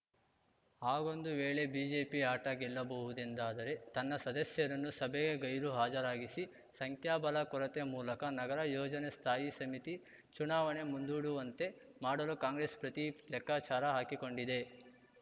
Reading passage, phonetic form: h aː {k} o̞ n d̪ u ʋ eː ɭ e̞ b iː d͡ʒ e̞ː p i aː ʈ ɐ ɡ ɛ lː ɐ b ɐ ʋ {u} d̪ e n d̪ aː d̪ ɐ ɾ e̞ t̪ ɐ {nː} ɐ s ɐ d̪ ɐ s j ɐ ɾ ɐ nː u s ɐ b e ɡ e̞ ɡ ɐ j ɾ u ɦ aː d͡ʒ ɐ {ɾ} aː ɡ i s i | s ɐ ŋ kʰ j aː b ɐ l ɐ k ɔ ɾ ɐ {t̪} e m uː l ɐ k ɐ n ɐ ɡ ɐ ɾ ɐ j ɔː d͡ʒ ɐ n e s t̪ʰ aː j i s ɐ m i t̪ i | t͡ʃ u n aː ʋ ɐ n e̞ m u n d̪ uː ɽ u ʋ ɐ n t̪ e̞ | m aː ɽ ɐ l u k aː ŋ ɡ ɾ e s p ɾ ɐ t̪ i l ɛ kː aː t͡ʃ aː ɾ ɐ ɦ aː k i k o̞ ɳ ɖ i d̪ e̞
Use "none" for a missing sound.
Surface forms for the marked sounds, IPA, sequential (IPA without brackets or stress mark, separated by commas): ɡ, u, nː, ɾ, t̪